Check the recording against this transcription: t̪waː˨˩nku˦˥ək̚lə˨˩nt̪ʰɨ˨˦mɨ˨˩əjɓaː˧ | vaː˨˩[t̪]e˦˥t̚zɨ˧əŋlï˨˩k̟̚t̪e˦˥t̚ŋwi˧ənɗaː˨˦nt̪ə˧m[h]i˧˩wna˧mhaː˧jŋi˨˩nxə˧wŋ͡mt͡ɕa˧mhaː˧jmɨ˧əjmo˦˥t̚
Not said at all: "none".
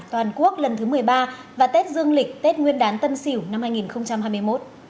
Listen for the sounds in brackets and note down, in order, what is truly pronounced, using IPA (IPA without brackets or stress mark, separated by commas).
t̪, s